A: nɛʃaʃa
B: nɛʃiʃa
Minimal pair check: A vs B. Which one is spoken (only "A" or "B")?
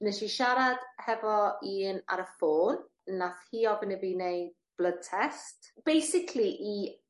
B